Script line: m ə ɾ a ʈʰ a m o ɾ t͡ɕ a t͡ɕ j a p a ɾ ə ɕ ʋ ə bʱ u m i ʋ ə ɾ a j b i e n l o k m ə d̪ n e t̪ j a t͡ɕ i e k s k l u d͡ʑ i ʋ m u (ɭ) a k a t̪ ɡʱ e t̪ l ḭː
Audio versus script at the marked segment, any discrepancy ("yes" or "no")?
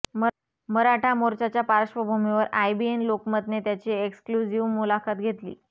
yes